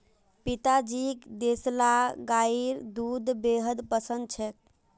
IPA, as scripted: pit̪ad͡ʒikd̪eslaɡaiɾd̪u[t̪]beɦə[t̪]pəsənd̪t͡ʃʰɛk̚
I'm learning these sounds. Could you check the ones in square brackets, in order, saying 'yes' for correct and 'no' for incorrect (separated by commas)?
no, no